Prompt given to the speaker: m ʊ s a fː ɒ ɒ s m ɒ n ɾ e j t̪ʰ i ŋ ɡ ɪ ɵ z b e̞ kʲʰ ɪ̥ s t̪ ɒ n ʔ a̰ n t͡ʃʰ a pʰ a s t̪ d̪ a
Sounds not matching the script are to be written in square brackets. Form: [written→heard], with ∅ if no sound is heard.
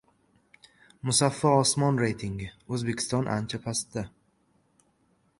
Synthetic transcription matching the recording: m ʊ s a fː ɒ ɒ s m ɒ n ɾ e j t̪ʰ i ŋ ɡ ɪ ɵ z b e̞ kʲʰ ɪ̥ s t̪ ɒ n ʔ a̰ n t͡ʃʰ a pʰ a s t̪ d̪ a